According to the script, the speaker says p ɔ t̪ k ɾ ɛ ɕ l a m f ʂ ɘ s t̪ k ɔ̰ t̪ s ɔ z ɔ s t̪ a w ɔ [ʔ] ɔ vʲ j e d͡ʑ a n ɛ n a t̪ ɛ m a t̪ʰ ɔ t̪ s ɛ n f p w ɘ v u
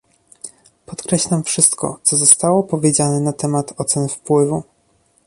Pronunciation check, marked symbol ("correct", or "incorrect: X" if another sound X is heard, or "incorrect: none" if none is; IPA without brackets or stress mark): incorrect: p